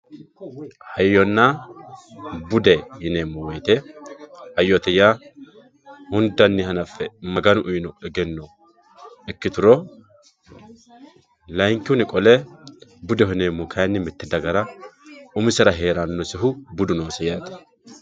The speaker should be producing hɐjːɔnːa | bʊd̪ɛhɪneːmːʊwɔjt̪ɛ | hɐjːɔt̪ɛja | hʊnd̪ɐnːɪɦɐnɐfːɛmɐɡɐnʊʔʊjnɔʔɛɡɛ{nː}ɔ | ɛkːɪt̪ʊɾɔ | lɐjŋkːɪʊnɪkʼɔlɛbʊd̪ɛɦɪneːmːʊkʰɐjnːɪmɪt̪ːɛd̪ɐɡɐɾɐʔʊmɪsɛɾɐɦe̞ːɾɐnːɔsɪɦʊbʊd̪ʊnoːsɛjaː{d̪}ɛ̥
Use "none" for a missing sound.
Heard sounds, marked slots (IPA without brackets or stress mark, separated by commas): nː, t̪